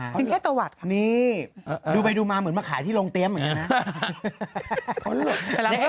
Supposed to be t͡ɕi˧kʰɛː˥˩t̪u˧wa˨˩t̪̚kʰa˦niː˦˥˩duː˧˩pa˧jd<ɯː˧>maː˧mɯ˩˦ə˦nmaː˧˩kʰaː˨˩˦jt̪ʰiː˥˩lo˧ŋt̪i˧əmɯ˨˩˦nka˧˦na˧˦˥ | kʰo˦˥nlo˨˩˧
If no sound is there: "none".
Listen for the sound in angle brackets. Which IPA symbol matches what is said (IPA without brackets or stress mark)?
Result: uː˧